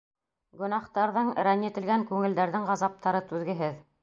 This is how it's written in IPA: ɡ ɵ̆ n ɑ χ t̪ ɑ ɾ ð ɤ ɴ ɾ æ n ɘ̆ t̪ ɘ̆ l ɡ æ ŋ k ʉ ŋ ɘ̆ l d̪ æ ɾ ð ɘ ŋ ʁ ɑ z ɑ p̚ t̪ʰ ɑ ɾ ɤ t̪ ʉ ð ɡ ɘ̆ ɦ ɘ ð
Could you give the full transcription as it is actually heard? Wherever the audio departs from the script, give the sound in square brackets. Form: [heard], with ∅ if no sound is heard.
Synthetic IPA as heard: ɡ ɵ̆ n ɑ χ t̪ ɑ ɾ ð ɤ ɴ ɾ æ n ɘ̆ t̪ ɘ̆ l ɡ æ ŋ k ʉ ŋ ɘ̆ l d̪ æ ɾ ð ɘ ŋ ʁ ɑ z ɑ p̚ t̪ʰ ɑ ɾ ɤ t̪ ʉ ð ɡ ɘ̆ ɦ ɘ ð